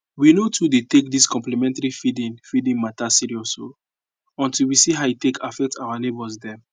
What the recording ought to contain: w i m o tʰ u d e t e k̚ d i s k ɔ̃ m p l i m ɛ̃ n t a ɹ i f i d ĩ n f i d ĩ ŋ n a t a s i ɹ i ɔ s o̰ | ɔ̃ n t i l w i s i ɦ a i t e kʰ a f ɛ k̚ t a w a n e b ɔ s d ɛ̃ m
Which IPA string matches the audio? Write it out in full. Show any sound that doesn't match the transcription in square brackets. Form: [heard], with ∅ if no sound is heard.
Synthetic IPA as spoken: w i [n] o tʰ u d e t e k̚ d i s k ɔ̃ m p l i m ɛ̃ n t a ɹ i f i d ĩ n f i d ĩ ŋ [m] a t a s i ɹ i ɔ s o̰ | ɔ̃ n t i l w i s i ɦ a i t e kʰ a f ɛ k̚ t a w a n e b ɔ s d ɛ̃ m

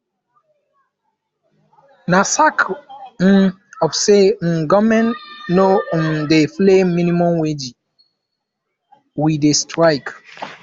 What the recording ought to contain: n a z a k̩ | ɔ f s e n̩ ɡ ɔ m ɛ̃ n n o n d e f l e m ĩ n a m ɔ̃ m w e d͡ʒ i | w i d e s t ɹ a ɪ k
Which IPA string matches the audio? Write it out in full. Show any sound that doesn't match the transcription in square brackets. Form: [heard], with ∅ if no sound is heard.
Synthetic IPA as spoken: n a [s] a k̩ | ɔ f s e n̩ ɡ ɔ m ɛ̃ n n o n d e f l e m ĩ n [i] m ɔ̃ m w e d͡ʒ i | w i d e s t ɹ a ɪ k

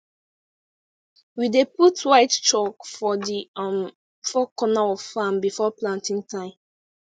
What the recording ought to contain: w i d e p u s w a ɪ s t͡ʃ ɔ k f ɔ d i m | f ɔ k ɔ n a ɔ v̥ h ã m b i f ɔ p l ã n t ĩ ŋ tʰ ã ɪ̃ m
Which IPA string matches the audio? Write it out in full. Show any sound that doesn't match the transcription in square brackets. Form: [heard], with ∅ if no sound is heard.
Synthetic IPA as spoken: w i d e p u [t] w a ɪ [t] t͡ʃ ɔ k f ɔ d i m | f ɔ k ɔ n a ɔ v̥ [f] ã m b i f ɔ p l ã n t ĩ ŋ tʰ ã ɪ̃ m

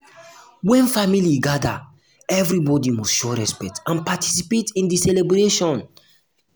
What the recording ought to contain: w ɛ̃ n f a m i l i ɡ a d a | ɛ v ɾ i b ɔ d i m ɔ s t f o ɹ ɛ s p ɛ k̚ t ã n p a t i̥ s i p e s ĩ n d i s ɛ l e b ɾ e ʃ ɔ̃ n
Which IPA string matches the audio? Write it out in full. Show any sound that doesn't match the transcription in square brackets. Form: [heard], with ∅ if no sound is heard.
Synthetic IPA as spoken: w ɛ̃ n f a m i l i ɡ a d a | ɛ v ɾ i b ɔ d i m ɔ s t [ʃ] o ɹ ɛ s p ɛ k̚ t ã n p a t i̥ s i p e [t] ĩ n d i s ɛ l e b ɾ e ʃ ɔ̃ n

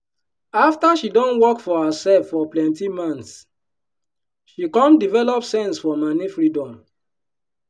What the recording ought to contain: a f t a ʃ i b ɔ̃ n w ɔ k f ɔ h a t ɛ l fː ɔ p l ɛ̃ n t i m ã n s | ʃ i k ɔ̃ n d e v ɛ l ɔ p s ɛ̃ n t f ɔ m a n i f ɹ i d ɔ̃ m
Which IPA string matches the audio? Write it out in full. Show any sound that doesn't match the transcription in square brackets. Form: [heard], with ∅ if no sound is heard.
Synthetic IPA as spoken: a f t a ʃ i [d] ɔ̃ n w ɔ k f ɔ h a [s] ɛ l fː ɔ p l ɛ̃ n t i m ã n s | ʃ i k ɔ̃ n d [i] v ɛ l ɔ p s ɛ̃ n [s] f ɔ m a n i f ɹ i d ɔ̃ m

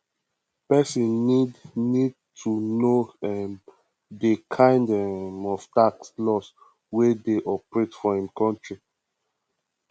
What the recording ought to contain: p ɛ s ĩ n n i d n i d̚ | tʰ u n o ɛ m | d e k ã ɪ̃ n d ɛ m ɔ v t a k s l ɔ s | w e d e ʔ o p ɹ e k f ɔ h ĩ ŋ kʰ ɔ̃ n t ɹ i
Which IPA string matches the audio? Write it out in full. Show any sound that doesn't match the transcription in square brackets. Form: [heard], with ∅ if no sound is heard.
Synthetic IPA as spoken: p ɛ s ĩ n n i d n i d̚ | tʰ u n o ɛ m | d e [kʰ] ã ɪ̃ n d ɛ m ɔ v t a k s l ɔ s | w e d e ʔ [ɔ] p ɹ e [t] f ɔ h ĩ [m] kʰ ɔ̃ n t ɹ i

